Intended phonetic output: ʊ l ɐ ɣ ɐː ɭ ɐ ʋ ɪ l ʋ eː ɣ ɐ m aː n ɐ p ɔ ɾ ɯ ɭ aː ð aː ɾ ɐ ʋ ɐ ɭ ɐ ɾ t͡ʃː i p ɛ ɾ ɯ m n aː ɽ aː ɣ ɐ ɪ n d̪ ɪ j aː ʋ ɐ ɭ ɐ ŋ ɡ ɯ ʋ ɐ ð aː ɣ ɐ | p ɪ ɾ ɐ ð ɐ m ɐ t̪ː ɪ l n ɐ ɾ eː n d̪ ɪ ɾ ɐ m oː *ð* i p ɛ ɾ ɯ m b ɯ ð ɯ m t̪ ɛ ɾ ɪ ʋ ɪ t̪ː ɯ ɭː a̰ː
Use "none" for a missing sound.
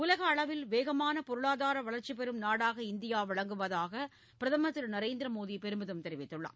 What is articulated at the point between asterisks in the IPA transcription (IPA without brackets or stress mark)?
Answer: ð